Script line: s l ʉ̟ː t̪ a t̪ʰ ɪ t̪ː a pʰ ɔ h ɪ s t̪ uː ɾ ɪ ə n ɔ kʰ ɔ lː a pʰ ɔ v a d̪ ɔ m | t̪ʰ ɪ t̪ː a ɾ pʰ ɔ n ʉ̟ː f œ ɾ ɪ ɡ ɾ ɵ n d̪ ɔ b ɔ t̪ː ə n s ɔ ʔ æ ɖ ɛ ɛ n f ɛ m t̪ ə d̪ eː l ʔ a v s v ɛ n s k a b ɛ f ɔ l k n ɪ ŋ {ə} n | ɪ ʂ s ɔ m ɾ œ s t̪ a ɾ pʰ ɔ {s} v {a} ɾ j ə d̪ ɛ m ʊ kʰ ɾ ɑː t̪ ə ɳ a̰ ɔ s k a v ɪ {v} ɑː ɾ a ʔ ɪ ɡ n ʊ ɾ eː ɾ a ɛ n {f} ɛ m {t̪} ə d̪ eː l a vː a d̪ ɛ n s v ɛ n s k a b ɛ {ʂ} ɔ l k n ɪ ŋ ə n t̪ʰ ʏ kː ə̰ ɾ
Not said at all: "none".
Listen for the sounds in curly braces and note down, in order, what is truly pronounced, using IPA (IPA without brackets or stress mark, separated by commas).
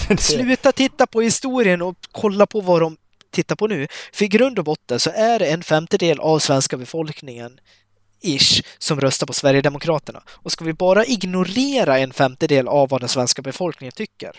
ə, s, æ, b, f, t̪, f